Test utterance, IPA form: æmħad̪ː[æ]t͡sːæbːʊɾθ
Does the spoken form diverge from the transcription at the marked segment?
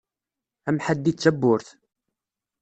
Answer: yes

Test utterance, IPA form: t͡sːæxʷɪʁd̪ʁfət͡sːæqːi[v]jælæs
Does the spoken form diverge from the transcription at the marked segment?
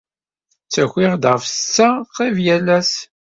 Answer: no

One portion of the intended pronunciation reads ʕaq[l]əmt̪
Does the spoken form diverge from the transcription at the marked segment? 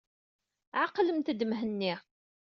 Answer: no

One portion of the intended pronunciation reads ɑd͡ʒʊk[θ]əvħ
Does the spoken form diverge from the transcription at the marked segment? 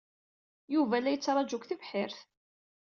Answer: no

